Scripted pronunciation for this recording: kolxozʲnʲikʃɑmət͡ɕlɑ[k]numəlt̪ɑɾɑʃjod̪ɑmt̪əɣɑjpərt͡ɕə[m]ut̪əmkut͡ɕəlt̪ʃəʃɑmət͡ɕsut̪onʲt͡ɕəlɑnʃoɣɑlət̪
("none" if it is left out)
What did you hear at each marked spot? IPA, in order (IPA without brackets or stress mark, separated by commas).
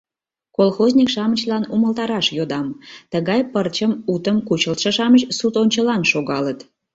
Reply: none, m